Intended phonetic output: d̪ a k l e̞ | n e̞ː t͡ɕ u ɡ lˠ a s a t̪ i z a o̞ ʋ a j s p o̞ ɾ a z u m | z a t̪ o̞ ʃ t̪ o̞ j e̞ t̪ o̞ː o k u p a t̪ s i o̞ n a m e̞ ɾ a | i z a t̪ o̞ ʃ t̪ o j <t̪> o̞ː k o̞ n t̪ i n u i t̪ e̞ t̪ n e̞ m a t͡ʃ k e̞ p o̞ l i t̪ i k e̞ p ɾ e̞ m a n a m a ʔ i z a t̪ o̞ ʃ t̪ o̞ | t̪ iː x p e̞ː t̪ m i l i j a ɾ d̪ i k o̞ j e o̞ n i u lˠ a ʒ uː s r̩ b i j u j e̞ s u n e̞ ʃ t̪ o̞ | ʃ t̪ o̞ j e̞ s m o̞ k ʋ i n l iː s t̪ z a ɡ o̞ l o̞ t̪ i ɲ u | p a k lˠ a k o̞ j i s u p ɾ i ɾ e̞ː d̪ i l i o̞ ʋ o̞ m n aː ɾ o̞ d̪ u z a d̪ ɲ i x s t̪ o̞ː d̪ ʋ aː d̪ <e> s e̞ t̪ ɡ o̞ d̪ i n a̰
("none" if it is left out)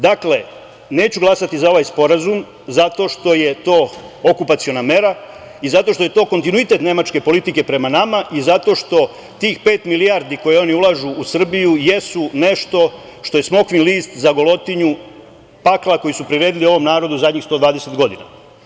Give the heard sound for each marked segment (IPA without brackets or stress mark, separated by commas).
t̪, e